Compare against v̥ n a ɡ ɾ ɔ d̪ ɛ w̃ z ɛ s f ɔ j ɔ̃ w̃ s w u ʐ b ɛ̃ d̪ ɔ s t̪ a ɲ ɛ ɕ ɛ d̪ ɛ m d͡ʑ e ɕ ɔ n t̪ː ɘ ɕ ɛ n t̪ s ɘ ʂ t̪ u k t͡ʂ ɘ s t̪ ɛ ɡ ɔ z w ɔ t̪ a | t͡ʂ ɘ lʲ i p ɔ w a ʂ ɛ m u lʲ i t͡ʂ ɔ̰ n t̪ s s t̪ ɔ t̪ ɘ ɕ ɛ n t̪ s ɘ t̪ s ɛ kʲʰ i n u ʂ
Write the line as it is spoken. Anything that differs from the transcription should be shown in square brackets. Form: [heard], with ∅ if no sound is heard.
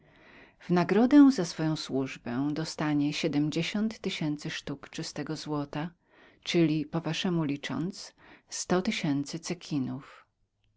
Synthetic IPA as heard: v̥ n a ɡ ɾ ɔ d̪ ɛ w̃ z [a] s f ɔ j ɔ̃ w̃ s w u ʐ b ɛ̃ d̪ ɔ s t̪ a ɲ ɛ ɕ ɛ d̪ ɛ m d͡ʑ e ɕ ɔ n t̪ː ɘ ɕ ɛ n t̪ s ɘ ʂ t̪ u k t͡ʂ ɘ s t̪ ɛ ɡ ɔ z w ɔ t̪ a | t͡ʂ ɘ lʲ i p ɔ [v] a ʂ ɛ m u lʲ i t͡ʂ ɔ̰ n t̪ s s t̪ ɔ t̪ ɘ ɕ ɛ n t̪ s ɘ t̪ s ɛ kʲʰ i n u [f]